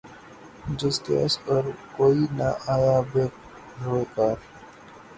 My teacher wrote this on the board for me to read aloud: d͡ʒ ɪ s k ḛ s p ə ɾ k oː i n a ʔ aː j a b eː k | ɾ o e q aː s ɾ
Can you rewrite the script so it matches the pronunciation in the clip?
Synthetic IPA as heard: d͡ʒ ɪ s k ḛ s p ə ɾ k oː i n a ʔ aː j a b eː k | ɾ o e k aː ɾ